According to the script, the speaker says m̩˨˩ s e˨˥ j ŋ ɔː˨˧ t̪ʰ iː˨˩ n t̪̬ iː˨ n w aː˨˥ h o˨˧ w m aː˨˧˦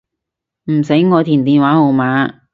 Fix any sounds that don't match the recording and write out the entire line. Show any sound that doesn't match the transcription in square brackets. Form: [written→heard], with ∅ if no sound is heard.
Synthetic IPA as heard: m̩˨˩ s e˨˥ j ŋ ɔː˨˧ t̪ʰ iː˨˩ n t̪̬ iː˨ n w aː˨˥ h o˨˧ w m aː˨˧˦